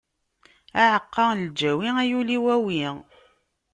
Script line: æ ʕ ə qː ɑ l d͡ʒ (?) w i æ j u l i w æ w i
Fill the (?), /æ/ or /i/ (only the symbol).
æ